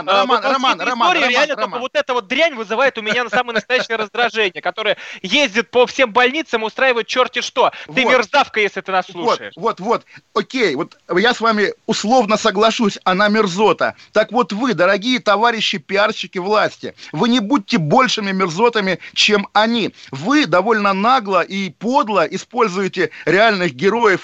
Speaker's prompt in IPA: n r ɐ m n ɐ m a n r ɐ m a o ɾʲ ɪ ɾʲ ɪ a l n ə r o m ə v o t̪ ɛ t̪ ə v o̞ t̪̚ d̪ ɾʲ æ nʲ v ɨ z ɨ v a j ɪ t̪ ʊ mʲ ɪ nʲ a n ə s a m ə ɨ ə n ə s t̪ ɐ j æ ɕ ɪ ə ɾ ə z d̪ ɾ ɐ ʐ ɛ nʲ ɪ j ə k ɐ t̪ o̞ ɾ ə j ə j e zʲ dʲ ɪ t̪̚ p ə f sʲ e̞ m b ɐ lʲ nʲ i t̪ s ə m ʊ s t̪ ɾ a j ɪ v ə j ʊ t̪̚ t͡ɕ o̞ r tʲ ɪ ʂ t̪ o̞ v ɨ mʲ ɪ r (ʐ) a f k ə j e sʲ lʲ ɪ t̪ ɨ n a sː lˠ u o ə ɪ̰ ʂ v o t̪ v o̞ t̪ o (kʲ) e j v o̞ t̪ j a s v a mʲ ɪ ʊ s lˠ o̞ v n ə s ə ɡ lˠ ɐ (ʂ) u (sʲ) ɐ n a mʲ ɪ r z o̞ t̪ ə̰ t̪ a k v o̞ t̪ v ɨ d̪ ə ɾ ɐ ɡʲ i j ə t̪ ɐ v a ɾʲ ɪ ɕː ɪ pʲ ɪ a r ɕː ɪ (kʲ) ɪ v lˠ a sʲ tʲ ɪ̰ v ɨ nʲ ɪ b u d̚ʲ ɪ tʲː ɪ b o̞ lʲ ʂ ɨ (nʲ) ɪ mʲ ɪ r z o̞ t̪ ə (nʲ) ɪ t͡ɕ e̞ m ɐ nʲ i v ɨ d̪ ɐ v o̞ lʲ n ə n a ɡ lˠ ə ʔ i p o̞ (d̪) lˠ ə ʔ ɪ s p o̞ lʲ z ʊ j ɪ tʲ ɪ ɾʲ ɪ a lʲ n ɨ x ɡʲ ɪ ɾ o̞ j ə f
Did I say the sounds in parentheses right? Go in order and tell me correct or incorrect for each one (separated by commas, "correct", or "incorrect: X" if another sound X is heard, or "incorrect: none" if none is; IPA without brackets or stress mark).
incorrect: z, correct, correct, correct, correct, incorrect: mʲ, incorrect: mʲ, correct